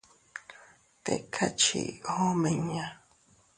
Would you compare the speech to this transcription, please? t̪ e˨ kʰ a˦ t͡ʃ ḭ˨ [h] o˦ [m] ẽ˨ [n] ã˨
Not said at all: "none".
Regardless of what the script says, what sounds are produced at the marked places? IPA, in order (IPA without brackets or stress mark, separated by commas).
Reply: h, m, ɲ